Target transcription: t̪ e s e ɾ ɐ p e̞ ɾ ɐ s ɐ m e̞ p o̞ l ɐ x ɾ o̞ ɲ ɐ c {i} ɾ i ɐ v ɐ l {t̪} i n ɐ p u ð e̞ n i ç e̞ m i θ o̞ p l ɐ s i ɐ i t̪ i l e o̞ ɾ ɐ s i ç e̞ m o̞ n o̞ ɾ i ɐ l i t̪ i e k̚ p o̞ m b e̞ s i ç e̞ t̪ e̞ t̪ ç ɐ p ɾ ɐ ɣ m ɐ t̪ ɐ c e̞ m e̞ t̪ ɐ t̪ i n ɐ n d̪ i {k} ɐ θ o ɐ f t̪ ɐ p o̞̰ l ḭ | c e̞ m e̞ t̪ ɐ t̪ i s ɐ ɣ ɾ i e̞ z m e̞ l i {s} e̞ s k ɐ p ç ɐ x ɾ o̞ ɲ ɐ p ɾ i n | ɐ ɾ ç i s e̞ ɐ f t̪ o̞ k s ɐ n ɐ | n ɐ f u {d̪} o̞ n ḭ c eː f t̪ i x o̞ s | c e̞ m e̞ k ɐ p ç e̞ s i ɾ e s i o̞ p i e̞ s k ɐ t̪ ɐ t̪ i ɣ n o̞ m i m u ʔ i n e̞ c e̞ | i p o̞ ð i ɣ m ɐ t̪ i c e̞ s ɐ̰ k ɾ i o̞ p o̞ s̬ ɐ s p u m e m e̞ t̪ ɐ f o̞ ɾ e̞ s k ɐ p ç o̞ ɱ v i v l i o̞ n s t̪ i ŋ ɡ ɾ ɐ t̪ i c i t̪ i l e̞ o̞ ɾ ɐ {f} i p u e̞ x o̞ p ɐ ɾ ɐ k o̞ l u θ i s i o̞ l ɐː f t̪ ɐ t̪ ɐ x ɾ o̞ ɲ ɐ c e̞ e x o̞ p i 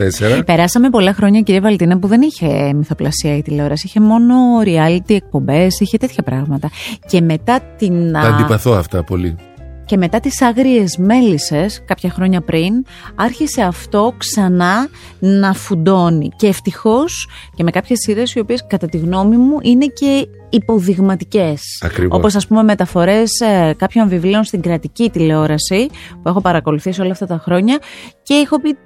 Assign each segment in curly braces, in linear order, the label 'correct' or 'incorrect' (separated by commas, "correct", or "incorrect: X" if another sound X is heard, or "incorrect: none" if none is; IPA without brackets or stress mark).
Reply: correct, correct, incorrect: p, correct, correct, incorrect: s